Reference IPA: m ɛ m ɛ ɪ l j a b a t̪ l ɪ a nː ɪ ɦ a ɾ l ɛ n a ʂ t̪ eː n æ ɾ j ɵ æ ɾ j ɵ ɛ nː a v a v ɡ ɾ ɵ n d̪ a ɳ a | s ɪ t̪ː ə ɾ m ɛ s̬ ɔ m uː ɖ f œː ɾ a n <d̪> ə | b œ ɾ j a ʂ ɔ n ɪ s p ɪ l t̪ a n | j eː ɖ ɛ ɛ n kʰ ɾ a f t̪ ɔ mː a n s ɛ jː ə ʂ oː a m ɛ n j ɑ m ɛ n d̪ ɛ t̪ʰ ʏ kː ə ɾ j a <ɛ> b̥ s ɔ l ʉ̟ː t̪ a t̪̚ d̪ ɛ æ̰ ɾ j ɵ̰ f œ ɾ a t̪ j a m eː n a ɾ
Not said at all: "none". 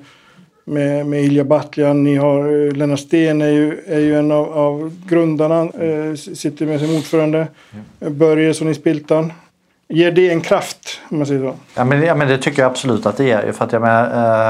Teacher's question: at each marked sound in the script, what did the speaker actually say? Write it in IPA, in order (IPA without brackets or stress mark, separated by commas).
d̪, a